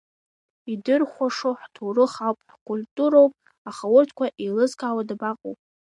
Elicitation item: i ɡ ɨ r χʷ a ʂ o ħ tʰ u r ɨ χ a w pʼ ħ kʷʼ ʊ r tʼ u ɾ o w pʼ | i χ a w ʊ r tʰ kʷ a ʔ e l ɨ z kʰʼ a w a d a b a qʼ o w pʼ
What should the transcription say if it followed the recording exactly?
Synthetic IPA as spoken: i d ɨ r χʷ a ʂ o ħ tʰ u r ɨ χ a w pʼ ħ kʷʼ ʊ l tʼ u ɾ o w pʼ | a χ a w ʊ r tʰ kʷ a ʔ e l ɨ z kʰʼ a w a d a b a qʼ o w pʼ